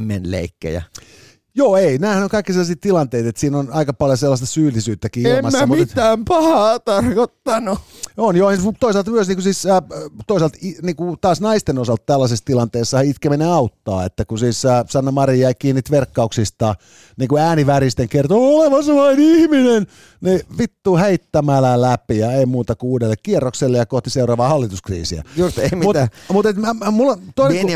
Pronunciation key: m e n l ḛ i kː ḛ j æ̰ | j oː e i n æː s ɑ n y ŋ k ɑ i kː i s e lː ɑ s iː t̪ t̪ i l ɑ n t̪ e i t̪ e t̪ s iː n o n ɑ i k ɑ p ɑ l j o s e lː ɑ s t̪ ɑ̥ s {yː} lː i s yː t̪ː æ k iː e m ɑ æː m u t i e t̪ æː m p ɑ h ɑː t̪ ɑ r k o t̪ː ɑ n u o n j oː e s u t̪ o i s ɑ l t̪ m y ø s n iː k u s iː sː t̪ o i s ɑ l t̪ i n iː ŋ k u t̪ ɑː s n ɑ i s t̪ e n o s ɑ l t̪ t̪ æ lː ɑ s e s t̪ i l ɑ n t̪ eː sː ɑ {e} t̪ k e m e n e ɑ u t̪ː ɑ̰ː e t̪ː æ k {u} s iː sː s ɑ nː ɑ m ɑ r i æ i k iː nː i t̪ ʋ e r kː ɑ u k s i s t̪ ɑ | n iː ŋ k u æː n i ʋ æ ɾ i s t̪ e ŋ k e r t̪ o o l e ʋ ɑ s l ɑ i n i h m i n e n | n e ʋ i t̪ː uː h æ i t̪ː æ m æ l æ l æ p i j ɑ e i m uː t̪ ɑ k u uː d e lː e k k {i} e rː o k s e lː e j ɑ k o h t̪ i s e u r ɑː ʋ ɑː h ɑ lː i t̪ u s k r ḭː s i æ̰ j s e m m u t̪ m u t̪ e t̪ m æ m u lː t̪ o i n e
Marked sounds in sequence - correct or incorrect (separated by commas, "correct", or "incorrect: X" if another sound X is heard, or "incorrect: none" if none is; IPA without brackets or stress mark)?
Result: correct, incorrect: i, correct, correct